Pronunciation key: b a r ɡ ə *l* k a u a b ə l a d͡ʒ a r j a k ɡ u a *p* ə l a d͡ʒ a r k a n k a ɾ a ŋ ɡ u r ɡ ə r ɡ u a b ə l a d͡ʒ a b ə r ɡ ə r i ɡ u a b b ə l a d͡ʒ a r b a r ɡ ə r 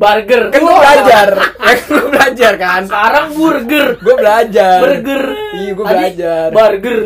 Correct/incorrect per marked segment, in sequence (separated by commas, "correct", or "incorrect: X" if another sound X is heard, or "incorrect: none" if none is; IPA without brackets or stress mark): incorrect: r, incorrect: b